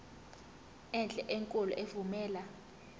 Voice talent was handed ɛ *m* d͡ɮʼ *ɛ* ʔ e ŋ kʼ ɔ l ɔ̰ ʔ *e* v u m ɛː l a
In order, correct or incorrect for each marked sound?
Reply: incorrect: n, correct, correct

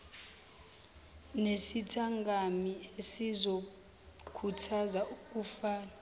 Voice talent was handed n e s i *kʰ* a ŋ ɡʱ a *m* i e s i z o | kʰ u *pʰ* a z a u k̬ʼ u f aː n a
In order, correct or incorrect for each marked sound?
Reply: incorrect: tʰ, correct, incorrect: tʰ

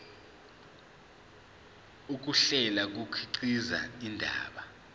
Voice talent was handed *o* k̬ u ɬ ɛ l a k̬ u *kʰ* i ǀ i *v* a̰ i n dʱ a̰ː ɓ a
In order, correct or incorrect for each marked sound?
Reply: incorrect: u, correct, incorrect: z

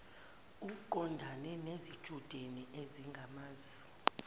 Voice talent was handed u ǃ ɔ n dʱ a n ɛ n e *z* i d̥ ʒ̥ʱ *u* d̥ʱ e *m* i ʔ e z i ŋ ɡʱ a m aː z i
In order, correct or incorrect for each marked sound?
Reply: correct, correct, incorrect: n

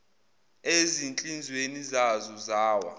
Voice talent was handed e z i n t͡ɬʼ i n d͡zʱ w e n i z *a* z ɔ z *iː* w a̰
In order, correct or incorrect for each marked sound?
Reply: correct, incorrect: aː

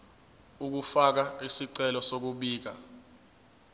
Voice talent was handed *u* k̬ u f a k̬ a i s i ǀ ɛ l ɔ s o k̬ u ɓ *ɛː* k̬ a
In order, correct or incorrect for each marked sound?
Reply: correct, incorrect: iː

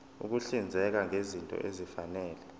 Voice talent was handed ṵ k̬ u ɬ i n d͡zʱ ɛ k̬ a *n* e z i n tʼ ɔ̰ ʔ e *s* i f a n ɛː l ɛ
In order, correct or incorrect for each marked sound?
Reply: incorrect: ŋ, incorrect: z

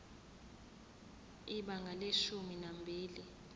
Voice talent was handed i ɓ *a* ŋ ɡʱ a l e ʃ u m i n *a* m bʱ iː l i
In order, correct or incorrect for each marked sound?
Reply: correct, correct

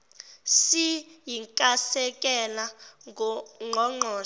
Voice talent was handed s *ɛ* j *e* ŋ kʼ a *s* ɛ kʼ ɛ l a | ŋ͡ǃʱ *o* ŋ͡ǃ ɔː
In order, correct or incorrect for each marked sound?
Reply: incorrect: i, incorrect: i, correct, incorrect: ɔ

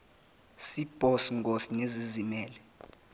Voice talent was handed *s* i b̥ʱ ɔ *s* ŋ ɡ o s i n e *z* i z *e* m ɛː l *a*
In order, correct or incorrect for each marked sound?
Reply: correct, correct, correct, incorrect: i, incorrect: ɛ

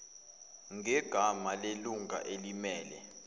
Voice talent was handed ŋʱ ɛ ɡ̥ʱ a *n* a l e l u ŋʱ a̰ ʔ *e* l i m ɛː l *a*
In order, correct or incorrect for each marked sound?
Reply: incorrect: m, correct, incorrect: ɛ

